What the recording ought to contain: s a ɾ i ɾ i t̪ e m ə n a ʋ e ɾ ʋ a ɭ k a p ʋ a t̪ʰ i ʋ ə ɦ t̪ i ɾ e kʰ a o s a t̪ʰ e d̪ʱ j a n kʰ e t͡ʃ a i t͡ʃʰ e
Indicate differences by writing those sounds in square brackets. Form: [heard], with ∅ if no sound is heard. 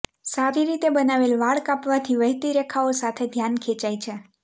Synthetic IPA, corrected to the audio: s a ɾ i ɾ i t̪ e [b] ə n a ʋ e [l] ʋ a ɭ k a p ʋ a t̪ʰ i ʋ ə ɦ t̪ i ɾ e kʰ a o s a t̪ʰ e d̪ʱ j a n kʰ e t͡ʃ a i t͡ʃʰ e